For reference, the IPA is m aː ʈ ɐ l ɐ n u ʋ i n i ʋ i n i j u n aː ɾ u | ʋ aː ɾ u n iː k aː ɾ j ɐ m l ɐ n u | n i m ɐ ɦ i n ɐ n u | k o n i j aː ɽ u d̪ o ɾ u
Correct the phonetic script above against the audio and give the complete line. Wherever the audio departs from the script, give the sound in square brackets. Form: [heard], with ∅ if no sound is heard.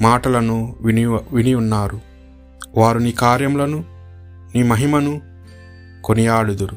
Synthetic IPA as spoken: m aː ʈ ɐ l ɐ n u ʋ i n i ʋ i n i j u [nː] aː ɾ u | ʋ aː ɾ u n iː k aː ɾ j ɐ m l ɐ n u | n [iː] m ɐ ɦ i [m] ɐ n u | k o n i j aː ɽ u d̪ [u] ɾ u